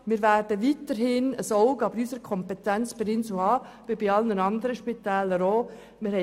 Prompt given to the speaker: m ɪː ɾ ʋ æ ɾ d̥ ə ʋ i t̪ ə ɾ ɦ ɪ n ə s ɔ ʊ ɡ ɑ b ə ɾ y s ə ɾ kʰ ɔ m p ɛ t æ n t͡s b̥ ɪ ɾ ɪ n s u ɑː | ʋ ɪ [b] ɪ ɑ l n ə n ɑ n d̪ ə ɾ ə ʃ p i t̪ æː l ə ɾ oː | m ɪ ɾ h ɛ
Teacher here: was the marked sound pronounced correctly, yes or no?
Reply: yes